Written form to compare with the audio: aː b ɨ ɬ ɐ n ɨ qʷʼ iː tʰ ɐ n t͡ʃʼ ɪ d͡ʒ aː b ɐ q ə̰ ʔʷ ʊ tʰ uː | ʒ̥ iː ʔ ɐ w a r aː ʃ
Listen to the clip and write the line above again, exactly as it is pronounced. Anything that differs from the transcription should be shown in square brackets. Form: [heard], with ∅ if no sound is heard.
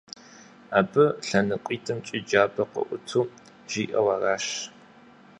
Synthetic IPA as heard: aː b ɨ ɬ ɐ n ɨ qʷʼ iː tʰ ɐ [m] t͡ʃʼ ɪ d͡ʒ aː b ɐ q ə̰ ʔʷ ʊ tʰ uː | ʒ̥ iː ʔ ɐ w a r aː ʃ